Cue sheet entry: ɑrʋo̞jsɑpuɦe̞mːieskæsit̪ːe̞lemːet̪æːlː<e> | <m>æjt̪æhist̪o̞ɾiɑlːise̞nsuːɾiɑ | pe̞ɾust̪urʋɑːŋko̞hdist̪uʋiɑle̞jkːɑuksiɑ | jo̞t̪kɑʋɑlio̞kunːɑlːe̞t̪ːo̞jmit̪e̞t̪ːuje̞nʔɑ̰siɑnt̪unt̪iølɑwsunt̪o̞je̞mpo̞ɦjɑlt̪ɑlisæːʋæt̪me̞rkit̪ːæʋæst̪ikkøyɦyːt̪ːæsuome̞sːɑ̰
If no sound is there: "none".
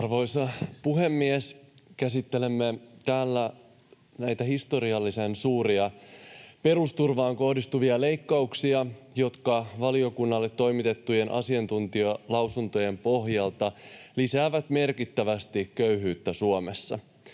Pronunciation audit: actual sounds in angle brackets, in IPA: æ, n

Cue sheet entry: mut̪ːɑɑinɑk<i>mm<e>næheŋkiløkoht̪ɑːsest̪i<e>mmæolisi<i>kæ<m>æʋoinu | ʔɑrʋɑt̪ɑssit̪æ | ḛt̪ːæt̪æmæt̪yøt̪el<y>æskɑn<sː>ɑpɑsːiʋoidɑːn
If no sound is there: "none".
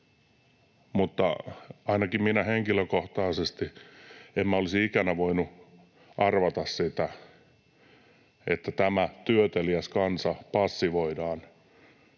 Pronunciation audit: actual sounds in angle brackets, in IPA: i, i, e, i, n, i, s

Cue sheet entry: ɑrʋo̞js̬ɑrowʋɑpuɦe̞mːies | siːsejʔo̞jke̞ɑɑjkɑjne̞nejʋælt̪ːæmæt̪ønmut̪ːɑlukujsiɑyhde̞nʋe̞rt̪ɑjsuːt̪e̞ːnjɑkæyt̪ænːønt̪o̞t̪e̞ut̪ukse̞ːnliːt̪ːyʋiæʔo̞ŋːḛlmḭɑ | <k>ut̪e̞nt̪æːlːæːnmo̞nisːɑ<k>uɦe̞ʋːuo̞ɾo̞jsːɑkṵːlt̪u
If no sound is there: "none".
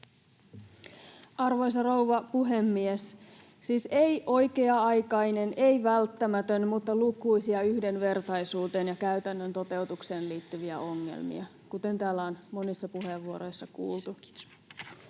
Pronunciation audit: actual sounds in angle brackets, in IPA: k, p

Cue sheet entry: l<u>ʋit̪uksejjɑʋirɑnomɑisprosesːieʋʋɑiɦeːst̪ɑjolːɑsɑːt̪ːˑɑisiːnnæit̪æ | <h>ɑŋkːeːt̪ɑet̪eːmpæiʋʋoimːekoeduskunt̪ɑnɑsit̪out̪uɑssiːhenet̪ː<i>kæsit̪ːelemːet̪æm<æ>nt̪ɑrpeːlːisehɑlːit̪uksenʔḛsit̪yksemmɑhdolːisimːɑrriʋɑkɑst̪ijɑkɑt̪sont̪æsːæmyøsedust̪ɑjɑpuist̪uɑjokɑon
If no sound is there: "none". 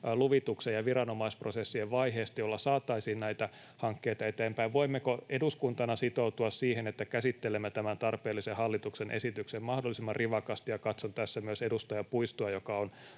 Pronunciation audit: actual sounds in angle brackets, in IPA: u, h, æ, æ

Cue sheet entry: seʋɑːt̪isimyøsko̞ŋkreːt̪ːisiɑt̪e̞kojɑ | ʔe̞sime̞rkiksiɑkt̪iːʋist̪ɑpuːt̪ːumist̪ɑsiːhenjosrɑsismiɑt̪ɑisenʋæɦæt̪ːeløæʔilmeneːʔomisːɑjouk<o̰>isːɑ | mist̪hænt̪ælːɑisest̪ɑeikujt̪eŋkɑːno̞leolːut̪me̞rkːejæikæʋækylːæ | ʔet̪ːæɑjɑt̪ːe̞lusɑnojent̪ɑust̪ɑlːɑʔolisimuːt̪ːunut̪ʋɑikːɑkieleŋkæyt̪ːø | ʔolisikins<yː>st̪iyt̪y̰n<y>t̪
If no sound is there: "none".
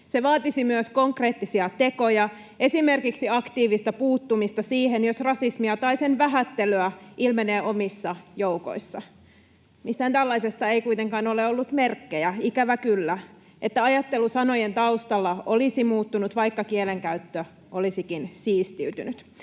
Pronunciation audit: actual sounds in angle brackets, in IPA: o̰, iː, y

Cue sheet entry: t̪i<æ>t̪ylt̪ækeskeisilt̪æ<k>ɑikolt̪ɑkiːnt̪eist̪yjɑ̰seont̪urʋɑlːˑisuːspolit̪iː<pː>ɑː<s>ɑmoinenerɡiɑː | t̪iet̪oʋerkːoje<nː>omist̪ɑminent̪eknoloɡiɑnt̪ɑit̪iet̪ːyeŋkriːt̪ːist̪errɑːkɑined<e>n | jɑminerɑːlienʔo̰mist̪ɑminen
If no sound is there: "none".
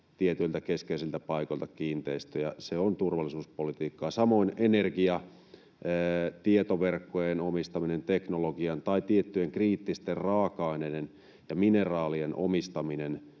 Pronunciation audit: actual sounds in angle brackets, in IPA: e, p, kː, s, n, e

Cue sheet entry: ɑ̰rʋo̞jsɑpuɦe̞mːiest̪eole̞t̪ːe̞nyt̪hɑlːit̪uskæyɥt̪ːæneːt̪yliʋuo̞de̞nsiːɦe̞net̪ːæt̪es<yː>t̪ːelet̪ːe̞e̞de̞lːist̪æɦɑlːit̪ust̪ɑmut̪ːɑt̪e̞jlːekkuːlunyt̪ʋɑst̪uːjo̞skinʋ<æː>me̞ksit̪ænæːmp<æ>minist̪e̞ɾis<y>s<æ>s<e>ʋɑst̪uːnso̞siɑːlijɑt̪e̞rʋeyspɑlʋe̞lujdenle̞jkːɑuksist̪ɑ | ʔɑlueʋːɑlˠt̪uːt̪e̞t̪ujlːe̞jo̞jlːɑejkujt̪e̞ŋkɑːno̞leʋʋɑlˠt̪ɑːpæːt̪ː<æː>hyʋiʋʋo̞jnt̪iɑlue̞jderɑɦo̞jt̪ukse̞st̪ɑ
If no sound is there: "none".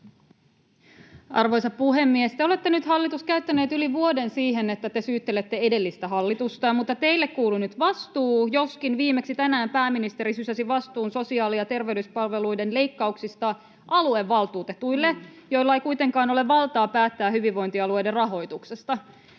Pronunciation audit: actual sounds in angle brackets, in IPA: yː, iː, æː, y, æ, i, æː

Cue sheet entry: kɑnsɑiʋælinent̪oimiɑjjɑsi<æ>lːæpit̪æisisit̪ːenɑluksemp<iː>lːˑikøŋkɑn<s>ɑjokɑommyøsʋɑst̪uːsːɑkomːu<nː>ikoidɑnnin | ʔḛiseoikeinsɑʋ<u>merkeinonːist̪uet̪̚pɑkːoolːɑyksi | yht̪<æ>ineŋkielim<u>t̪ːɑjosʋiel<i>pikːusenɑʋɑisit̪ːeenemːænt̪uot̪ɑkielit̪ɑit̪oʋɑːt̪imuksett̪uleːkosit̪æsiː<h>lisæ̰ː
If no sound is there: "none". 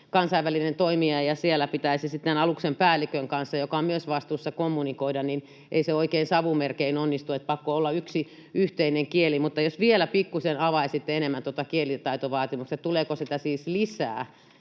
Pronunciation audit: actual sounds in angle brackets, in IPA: e, æː, sː, n, u, e, u, æ, s

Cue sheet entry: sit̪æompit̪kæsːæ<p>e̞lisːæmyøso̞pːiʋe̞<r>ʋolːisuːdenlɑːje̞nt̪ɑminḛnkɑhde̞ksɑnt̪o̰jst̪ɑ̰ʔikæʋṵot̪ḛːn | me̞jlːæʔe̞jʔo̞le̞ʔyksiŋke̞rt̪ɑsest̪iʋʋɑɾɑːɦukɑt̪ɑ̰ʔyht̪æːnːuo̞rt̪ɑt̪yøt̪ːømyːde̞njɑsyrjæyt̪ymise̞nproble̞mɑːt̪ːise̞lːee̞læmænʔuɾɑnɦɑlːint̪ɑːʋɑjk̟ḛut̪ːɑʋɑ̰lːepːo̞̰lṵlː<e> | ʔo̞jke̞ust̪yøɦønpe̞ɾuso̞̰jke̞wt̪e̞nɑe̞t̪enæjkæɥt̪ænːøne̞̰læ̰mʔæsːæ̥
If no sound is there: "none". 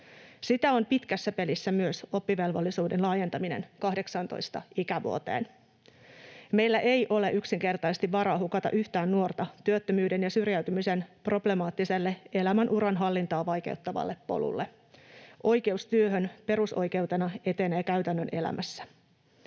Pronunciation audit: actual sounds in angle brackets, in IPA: p, l, e

